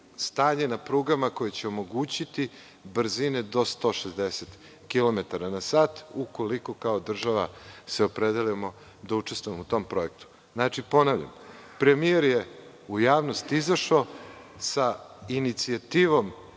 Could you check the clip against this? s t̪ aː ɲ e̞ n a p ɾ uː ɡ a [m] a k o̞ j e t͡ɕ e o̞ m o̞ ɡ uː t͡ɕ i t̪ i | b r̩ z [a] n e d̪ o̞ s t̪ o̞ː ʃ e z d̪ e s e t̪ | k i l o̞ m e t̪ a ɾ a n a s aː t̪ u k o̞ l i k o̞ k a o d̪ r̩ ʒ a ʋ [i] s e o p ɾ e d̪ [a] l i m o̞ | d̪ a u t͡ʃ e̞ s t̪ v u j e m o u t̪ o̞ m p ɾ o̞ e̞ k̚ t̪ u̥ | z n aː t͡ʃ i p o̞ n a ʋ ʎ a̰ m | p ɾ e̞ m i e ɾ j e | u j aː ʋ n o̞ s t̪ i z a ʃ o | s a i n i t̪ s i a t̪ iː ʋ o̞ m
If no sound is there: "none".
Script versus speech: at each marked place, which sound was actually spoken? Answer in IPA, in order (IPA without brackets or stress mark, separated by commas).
m, i, a, e